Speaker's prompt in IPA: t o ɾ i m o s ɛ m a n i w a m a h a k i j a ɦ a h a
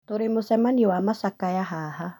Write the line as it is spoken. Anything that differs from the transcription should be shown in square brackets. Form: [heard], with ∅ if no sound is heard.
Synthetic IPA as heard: t o ɾ [e] m o s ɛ m a n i w a m a [s] a k [a] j a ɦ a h a